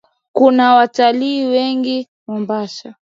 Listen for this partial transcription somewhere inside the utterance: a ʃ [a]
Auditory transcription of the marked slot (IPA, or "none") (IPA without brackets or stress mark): a